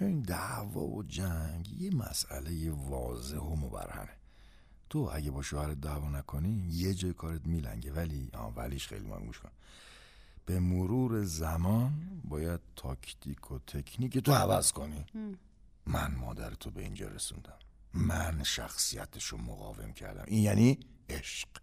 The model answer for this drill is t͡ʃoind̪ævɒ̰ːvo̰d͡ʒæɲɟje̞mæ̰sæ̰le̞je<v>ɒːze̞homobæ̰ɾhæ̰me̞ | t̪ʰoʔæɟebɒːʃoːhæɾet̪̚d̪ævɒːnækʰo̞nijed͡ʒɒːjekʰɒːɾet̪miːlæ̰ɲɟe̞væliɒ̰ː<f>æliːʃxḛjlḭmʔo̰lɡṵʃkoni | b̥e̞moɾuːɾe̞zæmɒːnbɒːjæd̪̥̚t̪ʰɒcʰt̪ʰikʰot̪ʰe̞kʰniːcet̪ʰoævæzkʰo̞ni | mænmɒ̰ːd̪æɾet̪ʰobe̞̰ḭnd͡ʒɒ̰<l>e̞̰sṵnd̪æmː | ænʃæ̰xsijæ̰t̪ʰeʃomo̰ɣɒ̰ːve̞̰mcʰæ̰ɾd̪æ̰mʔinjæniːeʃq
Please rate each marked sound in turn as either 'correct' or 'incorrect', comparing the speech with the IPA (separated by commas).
correct, incorrect, incorrect